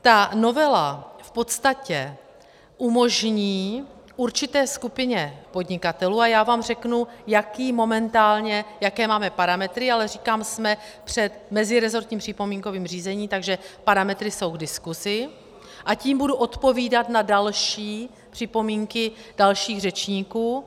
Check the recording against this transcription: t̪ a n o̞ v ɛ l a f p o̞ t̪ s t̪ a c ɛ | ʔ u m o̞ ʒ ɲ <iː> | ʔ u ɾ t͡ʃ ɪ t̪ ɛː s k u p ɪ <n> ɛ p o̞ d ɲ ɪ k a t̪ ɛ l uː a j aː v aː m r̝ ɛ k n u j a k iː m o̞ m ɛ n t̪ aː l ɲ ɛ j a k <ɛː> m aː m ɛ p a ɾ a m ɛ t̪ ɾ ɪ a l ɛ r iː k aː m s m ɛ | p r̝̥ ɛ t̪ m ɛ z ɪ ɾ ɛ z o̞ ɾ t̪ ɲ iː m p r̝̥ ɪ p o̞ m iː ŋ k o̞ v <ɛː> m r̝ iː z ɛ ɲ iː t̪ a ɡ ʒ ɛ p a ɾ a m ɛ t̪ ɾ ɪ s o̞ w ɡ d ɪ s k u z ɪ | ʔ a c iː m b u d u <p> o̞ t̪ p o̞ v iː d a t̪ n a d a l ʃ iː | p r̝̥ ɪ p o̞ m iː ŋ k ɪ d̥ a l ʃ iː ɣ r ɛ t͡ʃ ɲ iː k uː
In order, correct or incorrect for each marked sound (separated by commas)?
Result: correct, incorrect, correct, incorrect, incorrect